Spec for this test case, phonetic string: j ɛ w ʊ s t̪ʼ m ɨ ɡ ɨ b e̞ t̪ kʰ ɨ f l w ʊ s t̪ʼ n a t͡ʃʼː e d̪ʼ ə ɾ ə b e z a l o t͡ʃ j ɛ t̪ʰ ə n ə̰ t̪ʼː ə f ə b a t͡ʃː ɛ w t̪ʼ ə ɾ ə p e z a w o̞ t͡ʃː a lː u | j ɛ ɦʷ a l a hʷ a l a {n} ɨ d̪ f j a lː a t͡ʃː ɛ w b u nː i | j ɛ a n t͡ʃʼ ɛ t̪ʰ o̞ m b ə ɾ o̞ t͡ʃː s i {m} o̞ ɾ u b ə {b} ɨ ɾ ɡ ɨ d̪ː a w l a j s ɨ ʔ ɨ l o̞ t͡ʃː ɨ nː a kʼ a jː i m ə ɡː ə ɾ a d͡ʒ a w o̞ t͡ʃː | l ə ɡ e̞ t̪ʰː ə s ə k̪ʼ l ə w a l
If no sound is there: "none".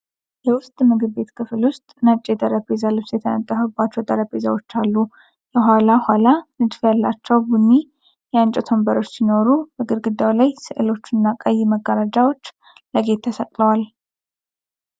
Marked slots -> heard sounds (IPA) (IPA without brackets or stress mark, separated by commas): n, n, ɡ